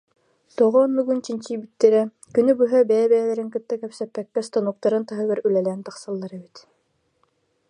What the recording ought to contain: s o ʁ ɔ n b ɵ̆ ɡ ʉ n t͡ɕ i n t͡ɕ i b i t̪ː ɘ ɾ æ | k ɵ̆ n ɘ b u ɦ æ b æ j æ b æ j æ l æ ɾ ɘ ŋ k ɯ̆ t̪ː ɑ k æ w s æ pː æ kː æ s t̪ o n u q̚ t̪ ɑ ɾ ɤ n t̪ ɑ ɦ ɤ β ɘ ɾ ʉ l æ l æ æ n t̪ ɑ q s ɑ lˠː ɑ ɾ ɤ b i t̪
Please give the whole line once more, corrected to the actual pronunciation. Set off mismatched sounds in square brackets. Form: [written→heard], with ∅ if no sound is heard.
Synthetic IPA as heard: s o ʁ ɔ n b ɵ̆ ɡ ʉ n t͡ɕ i n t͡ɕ i b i t̪ː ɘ ɾ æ | k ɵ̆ n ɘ b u ɦ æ b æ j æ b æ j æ l æ ɾ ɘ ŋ k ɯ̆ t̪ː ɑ k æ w s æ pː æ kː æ s t̪ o n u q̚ t̪ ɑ ɾ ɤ n t̪ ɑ ɦ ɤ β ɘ ɾ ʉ l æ l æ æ n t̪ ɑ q s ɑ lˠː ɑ ɾ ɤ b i t̪